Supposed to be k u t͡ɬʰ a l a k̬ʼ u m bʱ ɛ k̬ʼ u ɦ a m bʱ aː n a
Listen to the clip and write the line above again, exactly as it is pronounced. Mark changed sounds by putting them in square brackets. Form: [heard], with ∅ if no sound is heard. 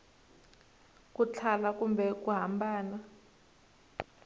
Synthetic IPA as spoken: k u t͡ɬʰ a l a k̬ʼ u m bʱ ɛ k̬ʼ u ɦ a m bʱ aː n a

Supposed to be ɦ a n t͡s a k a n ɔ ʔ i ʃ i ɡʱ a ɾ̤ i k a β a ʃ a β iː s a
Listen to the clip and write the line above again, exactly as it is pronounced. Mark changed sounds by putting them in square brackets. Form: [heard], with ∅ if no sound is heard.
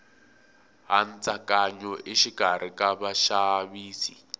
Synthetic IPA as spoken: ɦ a n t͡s a k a [ɲ] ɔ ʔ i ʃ i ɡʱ a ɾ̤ i k a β a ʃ a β iː s [i]

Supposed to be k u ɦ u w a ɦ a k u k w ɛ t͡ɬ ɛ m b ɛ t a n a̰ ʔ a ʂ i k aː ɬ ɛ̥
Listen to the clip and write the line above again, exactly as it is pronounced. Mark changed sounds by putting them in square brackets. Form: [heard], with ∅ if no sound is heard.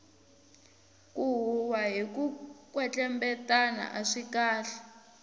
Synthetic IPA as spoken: k u ɦ u w a ɦ [i] k u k w ɛ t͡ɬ ɛ m b ɛ t a n a̰ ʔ a ʂ i k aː ɬ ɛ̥

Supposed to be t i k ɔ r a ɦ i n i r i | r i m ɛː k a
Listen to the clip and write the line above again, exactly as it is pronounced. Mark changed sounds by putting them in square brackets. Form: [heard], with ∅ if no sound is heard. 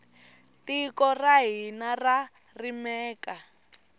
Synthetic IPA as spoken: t i k ɔ r a ɦ i n [a] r [a] | r i m ɛː k a

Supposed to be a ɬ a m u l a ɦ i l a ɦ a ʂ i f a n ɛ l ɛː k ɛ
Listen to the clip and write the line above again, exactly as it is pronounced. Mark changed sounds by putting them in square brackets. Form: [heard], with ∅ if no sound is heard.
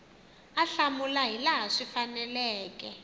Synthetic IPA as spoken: a ɬ a m u l a ɦ i l a ɦ a ʂ i f a n ɛ l ɛː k ɛ

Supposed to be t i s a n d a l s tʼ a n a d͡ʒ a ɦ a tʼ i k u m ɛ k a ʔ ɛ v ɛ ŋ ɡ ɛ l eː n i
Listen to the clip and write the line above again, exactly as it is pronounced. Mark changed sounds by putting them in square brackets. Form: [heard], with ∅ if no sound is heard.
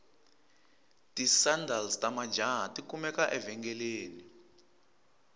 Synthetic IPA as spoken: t i s a n d a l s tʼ a [m] a d͡ʒ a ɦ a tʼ i k u m ɛ k a ʔ ɛ v ɛ ŋ ɡ ɛ l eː n i

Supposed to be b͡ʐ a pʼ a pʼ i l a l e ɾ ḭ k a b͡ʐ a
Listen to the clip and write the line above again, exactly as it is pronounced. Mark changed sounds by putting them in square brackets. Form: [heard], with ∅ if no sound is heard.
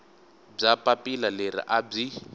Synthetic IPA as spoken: b͡ʐ a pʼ a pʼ i l a l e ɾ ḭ [ʔ] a b͡ʐ [i]

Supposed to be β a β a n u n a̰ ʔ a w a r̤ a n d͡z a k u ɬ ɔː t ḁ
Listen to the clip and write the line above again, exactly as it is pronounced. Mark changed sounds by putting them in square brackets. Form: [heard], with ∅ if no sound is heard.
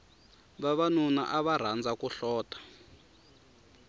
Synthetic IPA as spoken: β a β a n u n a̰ ʔ a [β] a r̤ a n d͡z a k u ɬ ɔː t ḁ

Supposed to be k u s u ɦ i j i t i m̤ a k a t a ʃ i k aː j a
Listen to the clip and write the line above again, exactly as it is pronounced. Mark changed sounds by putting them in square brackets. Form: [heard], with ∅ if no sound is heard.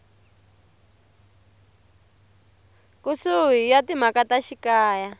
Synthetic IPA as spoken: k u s u ɦ i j [a] t i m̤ a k a t a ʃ i k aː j a

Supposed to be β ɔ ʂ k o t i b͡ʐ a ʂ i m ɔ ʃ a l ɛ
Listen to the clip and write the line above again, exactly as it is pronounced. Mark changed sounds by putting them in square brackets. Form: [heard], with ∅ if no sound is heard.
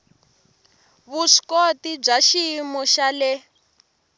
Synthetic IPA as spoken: β [u] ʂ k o t i b͡ʐ a [ʃ] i m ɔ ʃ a l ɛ

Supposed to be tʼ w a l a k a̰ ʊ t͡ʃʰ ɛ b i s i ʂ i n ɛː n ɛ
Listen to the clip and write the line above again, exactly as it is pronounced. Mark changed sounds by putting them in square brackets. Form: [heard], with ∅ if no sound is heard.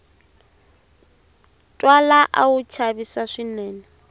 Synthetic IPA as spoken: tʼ w a l a [ʔ] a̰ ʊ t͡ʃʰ [a] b i s [a] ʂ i n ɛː n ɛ

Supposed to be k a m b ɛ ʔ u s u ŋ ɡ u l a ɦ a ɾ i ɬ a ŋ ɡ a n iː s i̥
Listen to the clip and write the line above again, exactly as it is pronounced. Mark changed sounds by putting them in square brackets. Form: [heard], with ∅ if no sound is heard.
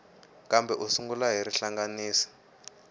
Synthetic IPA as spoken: k a m b ɛ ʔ u s u ŋ ɡ u l a ɦ [i] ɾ i ɬ a ŋ ɡ a n iː s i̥

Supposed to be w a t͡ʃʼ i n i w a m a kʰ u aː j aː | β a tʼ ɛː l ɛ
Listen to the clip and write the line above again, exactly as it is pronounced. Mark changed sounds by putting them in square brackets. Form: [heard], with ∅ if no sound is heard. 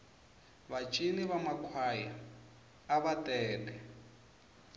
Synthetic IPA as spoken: [β] a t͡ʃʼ i n i [β] a m a kʰ [w] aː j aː | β a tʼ ɛː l ɛ

